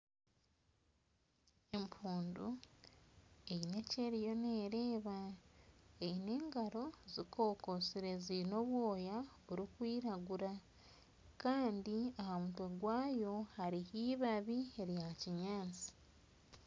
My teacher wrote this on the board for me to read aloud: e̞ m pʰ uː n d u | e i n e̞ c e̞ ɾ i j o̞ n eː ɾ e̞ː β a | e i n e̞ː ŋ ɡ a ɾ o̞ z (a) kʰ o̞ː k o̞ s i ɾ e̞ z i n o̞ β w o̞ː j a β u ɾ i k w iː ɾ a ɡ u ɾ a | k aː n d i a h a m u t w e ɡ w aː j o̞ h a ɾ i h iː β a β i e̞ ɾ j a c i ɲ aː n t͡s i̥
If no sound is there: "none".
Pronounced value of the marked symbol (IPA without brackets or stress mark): i